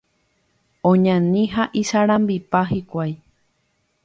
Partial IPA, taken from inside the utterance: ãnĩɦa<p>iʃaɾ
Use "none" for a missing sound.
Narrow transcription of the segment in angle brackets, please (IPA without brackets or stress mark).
ʔ